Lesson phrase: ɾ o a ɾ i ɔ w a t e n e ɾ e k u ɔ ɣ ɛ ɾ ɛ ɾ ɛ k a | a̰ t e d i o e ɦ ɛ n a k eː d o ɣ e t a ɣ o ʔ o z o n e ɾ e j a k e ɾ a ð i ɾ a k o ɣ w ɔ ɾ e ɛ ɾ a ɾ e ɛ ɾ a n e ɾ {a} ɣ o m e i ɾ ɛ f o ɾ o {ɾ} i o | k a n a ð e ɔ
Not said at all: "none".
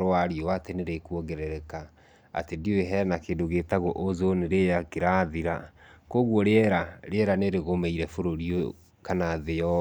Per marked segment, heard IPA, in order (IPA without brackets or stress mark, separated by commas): e, ɾ